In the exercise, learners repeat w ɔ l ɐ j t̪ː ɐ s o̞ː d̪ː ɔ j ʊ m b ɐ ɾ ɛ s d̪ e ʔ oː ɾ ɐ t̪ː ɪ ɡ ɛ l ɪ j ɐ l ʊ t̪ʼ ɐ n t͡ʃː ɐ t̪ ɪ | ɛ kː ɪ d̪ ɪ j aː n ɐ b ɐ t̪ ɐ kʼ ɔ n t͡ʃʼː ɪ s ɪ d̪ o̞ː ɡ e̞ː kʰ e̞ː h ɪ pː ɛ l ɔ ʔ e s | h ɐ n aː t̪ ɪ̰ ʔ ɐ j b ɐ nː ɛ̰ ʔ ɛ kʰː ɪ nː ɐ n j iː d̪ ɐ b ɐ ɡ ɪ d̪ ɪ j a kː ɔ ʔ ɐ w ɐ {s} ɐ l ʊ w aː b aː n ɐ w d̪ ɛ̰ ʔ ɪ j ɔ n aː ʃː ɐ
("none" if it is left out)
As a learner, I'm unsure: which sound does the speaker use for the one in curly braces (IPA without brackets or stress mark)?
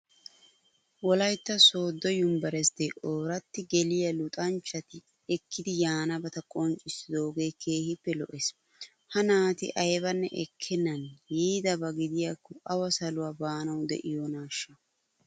s